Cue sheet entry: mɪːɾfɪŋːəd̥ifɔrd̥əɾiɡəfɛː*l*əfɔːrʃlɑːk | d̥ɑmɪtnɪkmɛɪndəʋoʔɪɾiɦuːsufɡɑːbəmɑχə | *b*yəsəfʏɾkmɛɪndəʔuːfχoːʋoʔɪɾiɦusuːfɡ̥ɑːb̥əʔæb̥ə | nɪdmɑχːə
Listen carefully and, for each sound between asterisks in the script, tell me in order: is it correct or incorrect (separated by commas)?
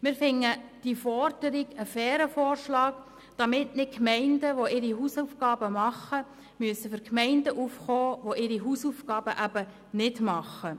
incorrect, incorrect